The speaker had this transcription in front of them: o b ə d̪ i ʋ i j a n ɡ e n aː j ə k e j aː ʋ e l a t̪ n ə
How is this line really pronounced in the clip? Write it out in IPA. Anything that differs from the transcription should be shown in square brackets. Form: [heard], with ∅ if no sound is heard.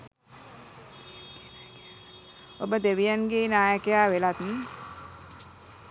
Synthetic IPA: o b ə d̪ [e] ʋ i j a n ɡ e n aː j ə k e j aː ʋ e l a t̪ n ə